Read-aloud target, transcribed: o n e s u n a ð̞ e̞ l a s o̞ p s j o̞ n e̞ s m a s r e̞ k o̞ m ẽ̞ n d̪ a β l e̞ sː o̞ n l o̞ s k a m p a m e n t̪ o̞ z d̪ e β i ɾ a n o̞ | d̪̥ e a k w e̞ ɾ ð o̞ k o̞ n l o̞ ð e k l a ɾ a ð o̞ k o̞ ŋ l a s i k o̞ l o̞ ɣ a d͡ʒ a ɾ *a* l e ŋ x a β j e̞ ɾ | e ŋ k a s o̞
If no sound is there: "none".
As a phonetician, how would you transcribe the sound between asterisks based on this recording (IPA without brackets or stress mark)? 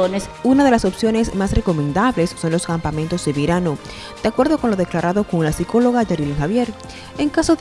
i